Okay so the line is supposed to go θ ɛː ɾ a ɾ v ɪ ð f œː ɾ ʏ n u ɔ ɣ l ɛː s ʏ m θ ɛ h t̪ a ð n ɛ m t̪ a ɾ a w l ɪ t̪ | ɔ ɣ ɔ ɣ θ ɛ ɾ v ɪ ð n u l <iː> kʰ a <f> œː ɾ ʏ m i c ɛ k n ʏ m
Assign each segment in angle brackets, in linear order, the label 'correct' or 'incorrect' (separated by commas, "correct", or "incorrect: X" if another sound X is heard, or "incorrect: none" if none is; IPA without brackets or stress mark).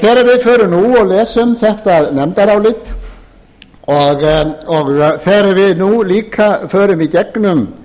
correct, correct